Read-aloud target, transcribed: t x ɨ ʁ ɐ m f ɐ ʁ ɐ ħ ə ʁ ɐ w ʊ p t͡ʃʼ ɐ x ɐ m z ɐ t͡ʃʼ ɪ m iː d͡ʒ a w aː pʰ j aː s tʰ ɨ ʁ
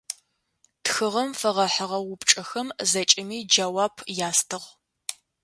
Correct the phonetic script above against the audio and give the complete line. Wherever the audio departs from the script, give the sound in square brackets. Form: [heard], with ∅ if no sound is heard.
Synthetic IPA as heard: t x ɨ ʁ ɐ m f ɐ ʁ ɐ ħ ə ʁ ɐ w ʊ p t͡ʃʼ ɐ x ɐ m z ɐ t͡ʃʼ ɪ m iː d͡ʒ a w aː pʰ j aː s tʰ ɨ ʁ